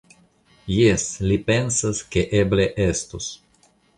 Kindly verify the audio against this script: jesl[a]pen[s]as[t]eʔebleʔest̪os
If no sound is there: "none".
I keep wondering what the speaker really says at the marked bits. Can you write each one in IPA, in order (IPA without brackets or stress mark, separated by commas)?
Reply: i, s, k